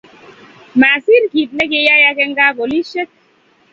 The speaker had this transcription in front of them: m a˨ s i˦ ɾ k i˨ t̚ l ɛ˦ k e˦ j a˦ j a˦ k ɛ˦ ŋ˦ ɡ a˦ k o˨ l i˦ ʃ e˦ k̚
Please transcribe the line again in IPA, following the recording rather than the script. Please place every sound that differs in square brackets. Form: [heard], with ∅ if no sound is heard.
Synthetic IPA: m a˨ s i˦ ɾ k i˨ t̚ l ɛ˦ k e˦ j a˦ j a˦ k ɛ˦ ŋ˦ ɡ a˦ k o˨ l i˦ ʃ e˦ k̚